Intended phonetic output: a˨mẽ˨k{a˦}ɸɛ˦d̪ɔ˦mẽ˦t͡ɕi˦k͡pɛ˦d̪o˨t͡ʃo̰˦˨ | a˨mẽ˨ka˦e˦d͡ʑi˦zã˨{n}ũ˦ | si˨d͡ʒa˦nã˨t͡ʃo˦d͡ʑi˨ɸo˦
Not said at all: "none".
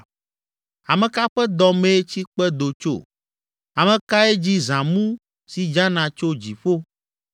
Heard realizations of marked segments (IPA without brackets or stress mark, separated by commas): a˦, m